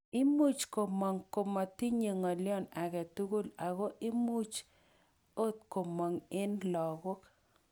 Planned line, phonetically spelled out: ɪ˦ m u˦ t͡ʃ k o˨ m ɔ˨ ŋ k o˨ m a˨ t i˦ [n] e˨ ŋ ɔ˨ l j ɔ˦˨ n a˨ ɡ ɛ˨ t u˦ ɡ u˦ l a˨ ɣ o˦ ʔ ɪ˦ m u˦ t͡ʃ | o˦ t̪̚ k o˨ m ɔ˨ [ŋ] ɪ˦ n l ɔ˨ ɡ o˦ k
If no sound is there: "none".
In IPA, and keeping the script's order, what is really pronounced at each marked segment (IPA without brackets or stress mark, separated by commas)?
ɲ, ŋ